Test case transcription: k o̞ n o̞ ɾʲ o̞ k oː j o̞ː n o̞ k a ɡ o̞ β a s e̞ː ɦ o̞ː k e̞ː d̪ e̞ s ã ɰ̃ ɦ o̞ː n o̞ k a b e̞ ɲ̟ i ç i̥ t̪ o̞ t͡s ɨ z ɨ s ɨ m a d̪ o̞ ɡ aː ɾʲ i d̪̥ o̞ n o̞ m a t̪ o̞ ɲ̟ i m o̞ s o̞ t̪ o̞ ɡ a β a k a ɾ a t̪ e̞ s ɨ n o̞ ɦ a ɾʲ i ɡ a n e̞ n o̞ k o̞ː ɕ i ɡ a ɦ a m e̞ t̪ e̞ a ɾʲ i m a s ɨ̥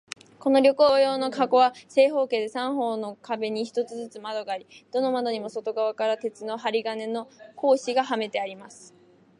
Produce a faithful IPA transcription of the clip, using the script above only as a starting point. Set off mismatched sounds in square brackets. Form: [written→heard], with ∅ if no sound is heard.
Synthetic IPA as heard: k o̞ n o̞ ɾʲ o̞ k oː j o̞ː n o̞ k a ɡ o̞ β a s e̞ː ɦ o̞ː k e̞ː d̪ e̞ s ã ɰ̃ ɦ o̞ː n o̞ k a b e̞ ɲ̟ i ç i̥ t̪ o̞ t͡s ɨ z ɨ [s→t͡s] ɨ m a d̪ o̞ ɡ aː ɾʲ i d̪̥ o̞ n o̞ m a [t̪→d̪] o̞ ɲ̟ i m o̞ s o̞ t̪ o̞ ɡ a β a k a ɾ a t̪ e̞ [s→t͡s] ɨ n o̞ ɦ a ɾʲ i ɡ a n e̞ n o̞ k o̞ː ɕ i ɡ a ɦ a m e̞ t̪ e̞ a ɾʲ i m a s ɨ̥